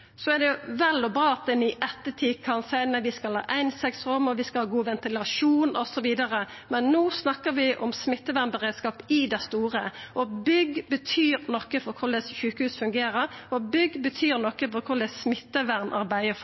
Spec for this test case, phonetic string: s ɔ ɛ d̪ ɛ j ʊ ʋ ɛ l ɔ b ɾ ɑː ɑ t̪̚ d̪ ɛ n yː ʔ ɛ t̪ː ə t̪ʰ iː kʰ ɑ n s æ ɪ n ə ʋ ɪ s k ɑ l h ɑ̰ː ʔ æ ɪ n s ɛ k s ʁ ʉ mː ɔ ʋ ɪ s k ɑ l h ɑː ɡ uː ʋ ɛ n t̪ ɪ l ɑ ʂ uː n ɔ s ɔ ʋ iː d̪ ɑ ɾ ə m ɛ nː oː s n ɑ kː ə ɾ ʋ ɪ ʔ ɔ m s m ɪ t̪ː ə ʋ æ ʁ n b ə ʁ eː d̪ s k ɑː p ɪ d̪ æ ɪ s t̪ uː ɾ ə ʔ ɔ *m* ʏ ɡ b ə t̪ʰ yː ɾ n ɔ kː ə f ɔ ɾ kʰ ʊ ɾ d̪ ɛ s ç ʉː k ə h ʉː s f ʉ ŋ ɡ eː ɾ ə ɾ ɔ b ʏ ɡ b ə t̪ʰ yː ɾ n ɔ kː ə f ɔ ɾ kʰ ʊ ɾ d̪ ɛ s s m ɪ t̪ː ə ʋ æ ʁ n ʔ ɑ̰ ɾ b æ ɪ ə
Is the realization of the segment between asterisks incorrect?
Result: yes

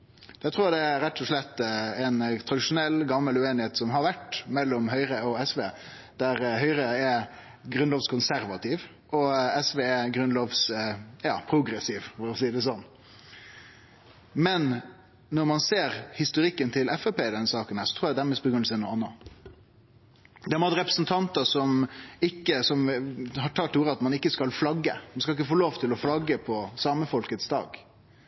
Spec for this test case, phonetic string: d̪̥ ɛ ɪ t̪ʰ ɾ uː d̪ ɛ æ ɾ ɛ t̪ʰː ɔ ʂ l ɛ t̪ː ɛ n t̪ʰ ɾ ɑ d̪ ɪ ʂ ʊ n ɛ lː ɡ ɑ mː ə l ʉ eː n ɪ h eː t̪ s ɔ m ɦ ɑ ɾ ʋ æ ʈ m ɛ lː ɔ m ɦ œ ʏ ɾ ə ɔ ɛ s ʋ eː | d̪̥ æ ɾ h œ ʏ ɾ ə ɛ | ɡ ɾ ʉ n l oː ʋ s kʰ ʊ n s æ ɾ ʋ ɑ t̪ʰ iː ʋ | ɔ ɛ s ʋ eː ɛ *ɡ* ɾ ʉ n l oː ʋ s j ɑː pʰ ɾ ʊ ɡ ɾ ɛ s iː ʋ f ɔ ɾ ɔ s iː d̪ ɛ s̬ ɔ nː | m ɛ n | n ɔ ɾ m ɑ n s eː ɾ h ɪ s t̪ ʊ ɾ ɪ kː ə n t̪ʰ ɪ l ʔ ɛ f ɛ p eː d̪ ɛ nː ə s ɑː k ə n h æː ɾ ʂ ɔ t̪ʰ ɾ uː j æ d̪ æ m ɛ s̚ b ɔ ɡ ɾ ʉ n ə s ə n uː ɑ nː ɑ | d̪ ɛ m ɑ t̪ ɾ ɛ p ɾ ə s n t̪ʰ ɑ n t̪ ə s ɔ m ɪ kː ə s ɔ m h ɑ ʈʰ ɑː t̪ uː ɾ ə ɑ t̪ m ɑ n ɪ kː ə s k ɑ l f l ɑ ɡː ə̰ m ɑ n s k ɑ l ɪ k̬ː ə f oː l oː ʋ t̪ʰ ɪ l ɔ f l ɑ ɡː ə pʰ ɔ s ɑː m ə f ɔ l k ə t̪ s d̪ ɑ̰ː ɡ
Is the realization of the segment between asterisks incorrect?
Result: no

